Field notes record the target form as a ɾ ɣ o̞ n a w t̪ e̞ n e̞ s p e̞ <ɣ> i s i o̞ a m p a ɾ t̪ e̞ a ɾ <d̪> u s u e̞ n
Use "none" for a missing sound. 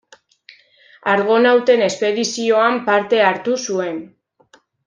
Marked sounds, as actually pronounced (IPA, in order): ð, t̪

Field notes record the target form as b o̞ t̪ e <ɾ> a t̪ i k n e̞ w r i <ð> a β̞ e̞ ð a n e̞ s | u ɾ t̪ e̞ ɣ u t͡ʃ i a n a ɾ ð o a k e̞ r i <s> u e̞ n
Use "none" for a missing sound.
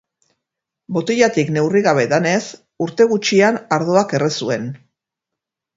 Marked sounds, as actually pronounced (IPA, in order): ʎ, ɣ, s

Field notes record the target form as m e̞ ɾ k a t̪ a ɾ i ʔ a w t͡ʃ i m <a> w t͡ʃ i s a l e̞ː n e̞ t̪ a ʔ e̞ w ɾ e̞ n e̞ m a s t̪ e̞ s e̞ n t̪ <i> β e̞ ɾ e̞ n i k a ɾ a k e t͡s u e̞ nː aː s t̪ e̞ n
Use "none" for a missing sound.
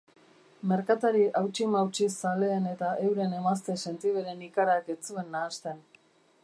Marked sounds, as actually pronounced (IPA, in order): a, i

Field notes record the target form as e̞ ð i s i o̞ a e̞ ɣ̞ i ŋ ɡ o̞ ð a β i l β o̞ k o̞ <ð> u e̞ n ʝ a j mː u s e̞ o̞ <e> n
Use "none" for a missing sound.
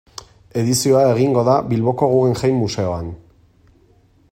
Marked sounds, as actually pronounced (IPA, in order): ɣ, a

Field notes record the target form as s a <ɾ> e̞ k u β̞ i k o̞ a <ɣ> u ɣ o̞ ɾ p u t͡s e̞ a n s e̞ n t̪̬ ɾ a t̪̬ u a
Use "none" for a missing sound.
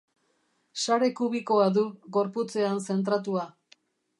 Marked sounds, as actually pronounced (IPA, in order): ɾ, ð

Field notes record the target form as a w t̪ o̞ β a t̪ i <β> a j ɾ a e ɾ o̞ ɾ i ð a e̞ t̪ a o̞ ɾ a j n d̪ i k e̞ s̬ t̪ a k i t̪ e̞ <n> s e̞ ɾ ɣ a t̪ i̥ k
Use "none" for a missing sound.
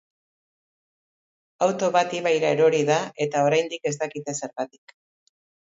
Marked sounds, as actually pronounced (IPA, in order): β, none

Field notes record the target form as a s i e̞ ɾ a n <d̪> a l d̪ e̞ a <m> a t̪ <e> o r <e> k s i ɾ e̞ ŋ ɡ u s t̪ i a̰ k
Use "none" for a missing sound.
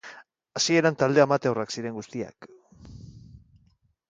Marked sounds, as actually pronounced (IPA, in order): t̪, m, e, a

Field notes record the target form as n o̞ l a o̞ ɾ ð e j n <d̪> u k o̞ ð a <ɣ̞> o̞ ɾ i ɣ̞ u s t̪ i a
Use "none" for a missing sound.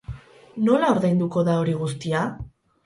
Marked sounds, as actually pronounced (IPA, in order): d̪, none

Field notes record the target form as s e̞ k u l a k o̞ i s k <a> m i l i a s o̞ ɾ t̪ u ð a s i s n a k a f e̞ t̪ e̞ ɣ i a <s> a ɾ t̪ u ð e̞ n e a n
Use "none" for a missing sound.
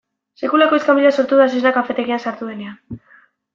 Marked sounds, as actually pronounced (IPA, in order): a, s

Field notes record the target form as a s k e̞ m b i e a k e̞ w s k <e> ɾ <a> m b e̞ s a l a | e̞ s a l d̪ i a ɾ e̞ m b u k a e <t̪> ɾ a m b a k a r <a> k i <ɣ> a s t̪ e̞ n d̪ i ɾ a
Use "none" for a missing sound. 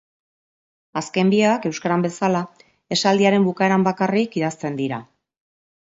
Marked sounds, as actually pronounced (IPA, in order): a, a, none, i, ð

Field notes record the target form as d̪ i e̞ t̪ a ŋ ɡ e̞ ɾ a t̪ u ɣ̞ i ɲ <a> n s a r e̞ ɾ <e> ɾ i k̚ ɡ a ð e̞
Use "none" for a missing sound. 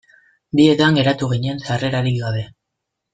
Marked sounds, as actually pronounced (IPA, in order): e, a

